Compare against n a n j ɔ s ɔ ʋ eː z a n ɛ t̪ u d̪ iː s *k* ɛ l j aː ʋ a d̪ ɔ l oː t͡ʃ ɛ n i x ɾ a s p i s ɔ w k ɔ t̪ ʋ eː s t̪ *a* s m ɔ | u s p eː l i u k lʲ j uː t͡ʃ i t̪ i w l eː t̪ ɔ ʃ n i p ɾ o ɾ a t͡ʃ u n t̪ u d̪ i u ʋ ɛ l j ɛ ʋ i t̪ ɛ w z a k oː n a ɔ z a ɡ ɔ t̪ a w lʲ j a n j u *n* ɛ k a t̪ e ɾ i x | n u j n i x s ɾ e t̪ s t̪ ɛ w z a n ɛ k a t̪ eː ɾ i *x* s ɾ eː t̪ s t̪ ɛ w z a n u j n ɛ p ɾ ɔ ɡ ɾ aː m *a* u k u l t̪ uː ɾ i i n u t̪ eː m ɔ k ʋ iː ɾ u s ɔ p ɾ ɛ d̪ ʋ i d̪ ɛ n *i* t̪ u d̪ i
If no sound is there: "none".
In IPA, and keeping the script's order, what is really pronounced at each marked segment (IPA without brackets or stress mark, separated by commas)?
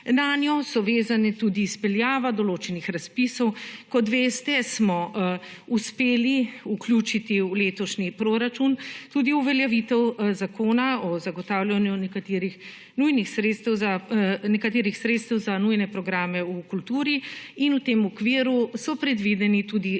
p, ɛ, n, x, ɛ, i